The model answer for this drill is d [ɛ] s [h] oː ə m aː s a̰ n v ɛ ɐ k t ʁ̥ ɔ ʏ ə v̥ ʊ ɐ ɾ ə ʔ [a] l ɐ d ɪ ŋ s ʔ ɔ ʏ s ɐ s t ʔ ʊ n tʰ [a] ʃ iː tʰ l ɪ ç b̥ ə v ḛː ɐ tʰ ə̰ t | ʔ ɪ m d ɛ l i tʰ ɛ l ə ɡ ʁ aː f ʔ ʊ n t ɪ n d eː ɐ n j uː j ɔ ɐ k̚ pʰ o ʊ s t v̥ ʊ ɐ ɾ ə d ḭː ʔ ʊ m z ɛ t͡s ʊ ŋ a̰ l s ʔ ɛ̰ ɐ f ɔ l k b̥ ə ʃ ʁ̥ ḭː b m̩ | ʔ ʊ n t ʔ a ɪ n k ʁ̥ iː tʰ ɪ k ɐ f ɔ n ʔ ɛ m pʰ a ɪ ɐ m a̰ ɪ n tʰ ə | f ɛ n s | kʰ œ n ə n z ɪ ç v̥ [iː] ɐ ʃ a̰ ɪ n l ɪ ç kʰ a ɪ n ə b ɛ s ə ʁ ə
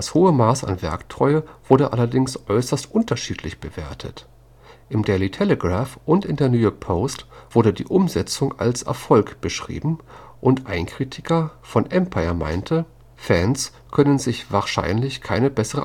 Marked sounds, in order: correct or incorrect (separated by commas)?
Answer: incorrect, correct, correct, incorrect, incorrect